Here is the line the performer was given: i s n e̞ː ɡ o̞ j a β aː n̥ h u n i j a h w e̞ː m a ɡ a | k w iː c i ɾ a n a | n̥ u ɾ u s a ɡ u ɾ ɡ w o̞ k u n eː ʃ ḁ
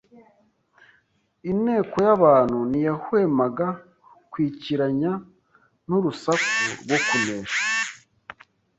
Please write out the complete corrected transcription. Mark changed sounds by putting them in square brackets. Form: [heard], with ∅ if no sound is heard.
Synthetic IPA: i [∅] n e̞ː [k] o̞ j a β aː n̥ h u n i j a h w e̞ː m a ɡ a | k w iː c i ɾ a [ɲ] a | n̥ u ɾ u s a [k] u ɾ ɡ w o̞ k u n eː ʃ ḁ